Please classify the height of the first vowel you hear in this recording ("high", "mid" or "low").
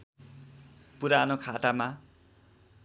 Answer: high